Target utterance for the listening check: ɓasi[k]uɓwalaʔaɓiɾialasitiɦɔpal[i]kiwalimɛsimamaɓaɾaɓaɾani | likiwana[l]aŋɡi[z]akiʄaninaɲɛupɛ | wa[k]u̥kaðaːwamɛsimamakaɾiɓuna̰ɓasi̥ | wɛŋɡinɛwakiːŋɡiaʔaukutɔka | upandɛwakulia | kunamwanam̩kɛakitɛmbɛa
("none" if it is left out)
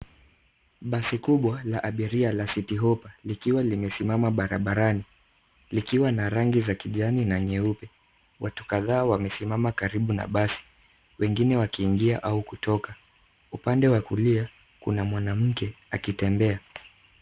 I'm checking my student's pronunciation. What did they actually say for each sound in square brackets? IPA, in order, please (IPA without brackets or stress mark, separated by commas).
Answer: k, i, ɾ, z, t